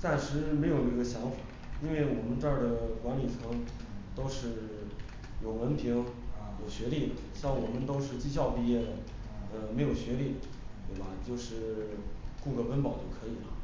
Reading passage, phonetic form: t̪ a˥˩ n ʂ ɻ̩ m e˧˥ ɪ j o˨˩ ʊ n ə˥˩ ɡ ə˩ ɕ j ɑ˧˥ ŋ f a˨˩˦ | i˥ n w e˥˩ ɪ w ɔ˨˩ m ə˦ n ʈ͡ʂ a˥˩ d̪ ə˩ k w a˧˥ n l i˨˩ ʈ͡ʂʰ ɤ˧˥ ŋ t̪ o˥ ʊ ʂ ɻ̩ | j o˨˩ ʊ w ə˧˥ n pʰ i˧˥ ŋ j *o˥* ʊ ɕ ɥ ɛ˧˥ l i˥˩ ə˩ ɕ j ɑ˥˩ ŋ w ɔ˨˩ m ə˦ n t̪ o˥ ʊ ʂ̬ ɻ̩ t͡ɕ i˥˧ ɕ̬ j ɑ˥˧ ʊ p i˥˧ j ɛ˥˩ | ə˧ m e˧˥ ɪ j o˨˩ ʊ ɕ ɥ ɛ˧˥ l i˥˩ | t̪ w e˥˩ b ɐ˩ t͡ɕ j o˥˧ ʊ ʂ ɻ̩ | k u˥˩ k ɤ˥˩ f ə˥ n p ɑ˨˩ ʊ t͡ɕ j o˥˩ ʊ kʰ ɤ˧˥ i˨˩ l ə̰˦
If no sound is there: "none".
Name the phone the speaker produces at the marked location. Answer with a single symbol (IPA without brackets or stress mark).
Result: o˨˩